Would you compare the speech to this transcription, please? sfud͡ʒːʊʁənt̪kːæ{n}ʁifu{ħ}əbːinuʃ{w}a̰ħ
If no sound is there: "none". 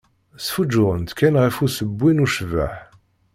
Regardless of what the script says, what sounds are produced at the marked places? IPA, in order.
n, s, v

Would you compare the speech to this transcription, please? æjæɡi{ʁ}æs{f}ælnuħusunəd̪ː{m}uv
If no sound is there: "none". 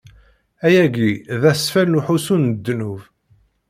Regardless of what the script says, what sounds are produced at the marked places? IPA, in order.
ð, f, n

